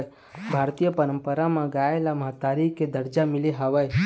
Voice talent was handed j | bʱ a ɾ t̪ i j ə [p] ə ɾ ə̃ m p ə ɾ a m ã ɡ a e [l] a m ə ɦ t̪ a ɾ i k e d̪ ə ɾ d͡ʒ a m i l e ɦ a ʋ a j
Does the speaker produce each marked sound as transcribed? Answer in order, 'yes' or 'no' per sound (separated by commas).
yes, yes